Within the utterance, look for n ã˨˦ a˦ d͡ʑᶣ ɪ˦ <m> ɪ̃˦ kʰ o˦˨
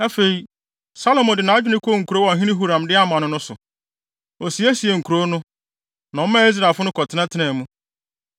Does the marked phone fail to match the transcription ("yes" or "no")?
yes